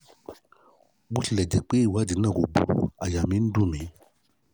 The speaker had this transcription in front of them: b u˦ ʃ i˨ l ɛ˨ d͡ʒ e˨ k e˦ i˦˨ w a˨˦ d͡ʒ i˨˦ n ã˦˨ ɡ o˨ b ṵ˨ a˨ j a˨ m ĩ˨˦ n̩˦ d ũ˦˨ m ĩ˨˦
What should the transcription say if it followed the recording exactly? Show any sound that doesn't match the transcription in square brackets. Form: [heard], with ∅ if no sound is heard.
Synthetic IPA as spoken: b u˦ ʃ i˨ l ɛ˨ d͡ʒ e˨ [k͡p] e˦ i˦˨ w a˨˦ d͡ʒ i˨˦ n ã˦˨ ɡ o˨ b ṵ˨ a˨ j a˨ m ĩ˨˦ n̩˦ d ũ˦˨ m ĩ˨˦

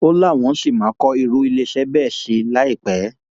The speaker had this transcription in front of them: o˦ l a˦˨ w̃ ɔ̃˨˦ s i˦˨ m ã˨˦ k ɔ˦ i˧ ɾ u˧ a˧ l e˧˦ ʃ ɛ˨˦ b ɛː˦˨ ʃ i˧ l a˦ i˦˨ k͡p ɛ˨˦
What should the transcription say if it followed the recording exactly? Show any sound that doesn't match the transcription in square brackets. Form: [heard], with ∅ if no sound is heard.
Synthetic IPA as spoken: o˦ l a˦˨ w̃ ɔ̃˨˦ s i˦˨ m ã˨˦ k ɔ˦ i˧ ɾ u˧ [i˧] l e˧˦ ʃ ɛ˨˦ b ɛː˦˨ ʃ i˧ l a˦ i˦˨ k͡p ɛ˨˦

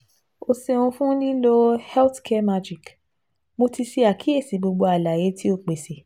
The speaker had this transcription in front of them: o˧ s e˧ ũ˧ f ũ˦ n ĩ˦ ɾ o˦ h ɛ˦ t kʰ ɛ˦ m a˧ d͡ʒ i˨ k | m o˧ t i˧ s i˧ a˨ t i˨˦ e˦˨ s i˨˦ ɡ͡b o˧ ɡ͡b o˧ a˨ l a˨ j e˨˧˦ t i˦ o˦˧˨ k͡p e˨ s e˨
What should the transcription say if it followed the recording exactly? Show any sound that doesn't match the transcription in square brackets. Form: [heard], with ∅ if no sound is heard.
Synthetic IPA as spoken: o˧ s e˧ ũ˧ f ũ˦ n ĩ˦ [l] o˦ h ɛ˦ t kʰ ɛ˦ m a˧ d͡ʒ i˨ k | m o˧ t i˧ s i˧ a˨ [k] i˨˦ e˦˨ s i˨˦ ɡ͡b o˧ ɡ͡b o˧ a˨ l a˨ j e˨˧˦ t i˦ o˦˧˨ k͡p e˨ s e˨

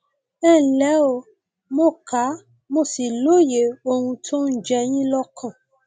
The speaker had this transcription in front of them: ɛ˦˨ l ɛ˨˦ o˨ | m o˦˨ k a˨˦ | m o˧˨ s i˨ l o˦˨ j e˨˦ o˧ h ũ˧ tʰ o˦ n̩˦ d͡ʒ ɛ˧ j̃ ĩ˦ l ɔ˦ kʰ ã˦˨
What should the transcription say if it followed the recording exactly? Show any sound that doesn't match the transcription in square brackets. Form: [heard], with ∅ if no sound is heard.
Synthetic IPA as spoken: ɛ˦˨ l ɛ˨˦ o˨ | m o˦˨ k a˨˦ | m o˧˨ s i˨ l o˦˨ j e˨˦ o˧ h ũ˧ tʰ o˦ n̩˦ d͡ʒ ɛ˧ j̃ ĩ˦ l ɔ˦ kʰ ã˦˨

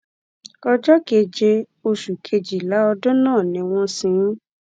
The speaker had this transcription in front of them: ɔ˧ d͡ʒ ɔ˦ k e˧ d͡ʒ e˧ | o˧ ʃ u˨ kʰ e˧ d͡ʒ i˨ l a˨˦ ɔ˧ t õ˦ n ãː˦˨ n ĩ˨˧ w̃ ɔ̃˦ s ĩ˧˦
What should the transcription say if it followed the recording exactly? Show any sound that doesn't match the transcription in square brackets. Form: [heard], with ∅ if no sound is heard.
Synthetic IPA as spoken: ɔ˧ d͡ʒ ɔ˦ k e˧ d͡ʒ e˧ | o˧ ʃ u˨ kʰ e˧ d͡ʒ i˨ l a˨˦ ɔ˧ [d] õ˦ n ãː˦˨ n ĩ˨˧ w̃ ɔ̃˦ s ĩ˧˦

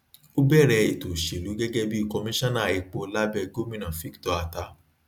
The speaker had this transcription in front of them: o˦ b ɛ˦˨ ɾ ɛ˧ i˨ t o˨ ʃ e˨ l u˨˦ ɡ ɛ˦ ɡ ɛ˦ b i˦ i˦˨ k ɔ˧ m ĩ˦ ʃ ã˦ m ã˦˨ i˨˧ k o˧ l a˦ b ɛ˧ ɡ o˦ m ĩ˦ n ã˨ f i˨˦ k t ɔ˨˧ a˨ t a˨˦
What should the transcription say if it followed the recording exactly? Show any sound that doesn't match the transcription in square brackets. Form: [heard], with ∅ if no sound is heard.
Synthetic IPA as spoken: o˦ b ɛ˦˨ ɾ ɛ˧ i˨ t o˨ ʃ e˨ l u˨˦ ɡ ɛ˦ ɡ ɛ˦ b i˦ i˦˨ k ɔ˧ m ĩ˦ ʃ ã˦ [n] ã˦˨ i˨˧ [k͡p] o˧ l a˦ b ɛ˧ ɡ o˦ m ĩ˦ n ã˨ f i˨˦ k t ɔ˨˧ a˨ t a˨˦

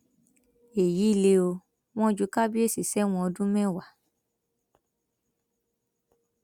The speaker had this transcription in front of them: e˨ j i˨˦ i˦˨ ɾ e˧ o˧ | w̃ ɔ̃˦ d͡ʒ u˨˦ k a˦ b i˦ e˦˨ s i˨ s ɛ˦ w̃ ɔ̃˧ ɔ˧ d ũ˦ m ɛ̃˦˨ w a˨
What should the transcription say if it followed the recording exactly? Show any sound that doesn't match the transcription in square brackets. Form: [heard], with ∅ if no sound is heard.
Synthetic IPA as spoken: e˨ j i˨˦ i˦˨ [l] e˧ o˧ | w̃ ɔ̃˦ d͡ʒ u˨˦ k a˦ b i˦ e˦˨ s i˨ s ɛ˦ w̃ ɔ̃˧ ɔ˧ d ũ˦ m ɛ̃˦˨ w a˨

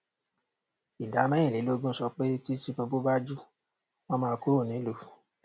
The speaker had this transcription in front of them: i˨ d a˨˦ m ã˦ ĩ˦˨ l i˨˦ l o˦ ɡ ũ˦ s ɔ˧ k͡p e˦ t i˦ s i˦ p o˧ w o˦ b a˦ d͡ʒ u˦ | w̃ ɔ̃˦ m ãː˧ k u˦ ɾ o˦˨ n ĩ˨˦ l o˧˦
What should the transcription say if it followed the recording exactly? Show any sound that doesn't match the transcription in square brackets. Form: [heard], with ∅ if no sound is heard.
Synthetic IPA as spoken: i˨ d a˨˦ m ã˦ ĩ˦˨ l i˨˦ l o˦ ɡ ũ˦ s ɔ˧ k͡p e˦ t i˦ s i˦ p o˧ [b] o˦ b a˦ d͡ʒ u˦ | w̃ ɔ̃˦ m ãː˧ k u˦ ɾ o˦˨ n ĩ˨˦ l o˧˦

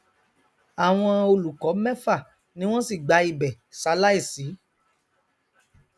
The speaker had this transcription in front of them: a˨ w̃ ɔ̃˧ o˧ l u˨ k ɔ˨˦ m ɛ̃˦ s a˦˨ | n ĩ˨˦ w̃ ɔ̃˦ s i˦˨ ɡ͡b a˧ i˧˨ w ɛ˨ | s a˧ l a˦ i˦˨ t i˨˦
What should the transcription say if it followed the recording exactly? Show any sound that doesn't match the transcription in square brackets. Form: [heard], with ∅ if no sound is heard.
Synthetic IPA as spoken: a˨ w̃ ɔ̃˧ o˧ l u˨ k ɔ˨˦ m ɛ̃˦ [f] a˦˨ | n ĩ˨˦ w̃ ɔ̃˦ s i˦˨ ɡ͡b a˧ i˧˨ [b] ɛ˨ | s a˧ l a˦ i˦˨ [s] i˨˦

